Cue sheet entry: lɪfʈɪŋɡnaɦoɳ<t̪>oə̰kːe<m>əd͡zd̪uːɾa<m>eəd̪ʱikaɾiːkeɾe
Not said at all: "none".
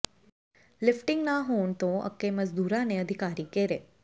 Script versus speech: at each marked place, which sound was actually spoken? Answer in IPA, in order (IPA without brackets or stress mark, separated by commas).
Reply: t̪, m, n